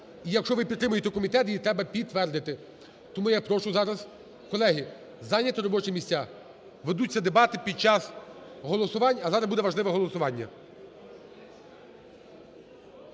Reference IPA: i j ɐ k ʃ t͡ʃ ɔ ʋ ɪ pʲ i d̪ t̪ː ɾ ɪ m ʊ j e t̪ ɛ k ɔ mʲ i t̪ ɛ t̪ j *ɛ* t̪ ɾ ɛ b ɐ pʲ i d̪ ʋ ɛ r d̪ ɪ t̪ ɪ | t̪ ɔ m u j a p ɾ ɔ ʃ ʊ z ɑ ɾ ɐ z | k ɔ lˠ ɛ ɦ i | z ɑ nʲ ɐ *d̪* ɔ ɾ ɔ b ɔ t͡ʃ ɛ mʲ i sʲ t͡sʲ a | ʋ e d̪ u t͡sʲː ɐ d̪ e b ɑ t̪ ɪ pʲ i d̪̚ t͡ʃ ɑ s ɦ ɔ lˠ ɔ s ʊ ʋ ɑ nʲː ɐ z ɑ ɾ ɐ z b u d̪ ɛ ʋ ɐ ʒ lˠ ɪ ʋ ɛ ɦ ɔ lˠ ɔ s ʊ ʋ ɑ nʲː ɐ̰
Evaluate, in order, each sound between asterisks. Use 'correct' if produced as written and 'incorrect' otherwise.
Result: incorrect, incorrect

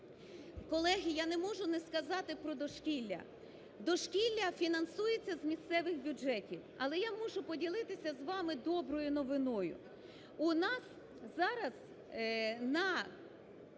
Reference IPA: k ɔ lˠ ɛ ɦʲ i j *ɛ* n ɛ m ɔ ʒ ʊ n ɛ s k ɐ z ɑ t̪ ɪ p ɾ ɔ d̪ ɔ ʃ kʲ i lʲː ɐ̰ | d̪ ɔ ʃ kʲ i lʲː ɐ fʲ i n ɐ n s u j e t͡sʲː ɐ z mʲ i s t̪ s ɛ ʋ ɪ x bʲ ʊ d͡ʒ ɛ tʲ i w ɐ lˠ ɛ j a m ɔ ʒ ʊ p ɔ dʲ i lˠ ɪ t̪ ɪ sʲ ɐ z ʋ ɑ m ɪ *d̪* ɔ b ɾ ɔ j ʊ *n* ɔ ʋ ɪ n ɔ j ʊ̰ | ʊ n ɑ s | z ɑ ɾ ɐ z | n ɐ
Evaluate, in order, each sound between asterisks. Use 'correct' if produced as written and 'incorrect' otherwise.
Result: incorrect, correct, correct

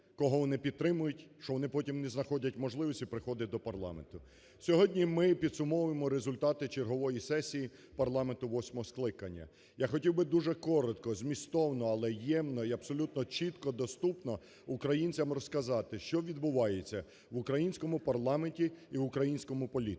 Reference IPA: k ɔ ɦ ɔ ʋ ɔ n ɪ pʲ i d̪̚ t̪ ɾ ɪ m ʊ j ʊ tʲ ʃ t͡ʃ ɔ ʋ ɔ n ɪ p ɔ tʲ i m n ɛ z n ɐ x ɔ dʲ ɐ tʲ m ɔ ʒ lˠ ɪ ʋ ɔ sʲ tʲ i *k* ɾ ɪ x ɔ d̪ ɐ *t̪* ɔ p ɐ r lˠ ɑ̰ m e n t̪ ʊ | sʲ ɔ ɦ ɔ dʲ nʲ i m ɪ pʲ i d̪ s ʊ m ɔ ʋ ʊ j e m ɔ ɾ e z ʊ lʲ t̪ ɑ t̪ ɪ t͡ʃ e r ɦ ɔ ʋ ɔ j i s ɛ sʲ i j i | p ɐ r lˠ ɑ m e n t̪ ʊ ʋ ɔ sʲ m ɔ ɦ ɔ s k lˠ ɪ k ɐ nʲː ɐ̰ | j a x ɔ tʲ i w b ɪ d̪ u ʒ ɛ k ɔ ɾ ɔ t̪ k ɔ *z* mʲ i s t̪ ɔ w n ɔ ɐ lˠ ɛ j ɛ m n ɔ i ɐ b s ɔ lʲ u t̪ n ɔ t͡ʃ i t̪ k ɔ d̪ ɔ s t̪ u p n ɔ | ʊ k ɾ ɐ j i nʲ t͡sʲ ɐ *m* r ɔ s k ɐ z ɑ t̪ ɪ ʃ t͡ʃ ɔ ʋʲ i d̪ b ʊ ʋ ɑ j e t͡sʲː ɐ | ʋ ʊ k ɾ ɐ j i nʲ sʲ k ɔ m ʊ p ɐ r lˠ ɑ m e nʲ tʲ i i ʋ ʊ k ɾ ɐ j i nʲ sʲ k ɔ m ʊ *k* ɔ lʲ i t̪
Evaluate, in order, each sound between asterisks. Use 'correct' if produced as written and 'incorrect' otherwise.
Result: incorrect, incorrect, correct, correct, incorrect

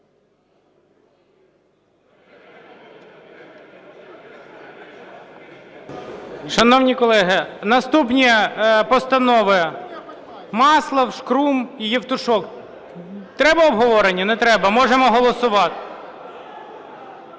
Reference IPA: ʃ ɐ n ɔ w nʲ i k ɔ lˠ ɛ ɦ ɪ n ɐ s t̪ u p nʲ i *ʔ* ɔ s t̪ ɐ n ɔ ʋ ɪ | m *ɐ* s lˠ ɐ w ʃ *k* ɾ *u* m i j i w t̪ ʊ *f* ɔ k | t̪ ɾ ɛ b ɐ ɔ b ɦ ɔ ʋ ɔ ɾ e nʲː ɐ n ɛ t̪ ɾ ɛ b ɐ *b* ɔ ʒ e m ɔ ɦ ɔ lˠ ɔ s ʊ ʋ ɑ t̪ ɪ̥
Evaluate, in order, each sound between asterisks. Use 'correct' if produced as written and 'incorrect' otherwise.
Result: incorrect, incorrect, correct, correct, incorrect, incorrect

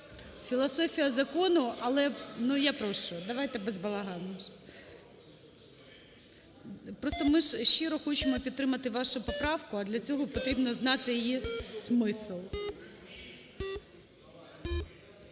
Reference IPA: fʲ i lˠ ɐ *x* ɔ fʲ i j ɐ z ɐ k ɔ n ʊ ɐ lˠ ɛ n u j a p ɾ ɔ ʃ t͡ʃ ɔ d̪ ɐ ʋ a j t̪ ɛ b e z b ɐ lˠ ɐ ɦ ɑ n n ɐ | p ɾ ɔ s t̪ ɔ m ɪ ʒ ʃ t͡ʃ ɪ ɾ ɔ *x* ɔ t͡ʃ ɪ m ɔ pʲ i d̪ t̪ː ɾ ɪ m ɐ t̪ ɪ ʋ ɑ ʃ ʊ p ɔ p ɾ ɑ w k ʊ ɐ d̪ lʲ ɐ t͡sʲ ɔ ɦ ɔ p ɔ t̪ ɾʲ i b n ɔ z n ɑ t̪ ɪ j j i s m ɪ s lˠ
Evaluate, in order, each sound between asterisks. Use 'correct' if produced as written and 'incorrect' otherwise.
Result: incorrect, correct

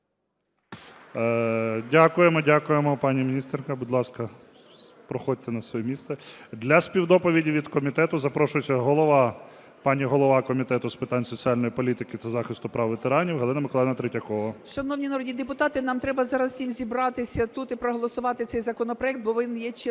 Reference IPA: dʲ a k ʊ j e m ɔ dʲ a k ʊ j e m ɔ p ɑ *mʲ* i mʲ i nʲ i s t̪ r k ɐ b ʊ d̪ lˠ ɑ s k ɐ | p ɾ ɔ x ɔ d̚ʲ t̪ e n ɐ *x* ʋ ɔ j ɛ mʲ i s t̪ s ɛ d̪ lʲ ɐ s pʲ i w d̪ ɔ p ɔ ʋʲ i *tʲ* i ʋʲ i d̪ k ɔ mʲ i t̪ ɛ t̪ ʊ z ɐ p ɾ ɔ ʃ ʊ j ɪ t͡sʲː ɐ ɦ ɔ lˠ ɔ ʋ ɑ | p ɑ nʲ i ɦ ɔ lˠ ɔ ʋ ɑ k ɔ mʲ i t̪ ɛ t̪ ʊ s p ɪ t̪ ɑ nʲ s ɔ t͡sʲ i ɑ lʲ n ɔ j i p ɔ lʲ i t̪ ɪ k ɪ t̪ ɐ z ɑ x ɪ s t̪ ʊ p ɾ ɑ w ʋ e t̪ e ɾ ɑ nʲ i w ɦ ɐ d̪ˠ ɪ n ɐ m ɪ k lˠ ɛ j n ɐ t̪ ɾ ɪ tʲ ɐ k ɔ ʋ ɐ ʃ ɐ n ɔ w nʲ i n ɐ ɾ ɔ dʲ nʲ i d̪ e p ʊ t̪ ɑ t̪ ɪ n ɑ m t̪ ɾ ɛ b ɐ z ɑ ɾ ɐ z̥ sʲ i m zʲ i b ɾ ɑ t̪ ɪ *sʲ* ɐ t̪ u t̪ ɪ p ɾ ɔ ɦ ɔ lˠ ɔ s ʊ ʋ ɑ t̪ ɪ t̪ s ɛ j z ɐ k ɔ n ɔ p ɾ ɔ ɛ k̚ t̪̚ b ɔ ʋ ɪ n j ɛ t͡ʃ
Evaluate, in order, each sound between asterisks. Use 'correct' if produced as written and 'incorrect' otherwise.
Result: incorrect, incorrect, incorrect, correct

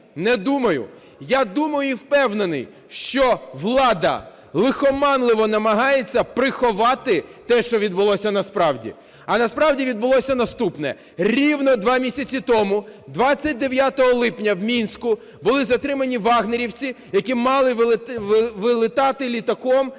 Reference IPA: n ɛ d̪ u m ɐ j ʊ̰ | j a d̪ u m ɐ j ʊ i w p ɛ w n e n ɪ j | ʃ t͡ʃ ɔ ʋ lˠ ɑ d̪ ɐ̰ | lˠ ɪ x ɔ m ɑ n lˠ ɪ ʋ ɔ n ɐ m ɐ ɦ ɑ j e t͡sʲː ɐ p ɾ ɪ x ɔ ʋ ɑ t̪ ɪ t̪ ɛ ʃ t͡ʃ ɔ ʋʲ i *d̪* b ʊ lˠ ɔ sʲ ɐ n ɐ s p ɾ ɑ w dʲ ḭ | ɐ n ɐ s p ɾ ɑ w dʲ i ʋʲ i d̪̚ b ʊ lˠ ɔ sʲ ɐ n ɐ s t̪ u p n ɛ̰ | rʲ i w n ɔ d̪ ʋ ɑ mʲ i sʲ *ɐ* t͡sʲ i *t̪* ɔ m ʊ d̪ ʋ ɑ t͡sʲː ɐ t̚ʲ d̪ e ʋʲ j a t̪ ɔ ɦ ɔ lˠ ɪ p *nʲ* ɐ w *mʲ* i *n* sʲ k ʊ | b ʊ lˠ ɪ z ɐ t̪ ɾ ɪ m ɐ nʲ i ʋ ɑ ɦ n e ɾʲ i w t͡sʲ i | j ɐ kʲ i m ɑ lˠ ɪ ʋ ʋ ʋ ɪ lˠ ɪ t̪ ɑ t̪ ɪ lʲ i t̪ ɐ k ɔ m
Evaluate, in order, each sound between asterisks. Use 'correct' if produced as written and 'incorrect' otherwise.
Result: correct, correct, correct, correct, correct, correct

